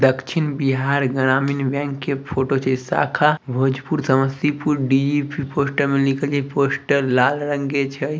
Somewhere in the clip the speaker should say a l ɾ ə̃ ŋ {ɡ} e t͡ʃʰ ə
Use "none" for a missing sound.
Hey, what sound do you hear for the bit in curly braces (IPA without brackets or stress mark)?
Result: ɡ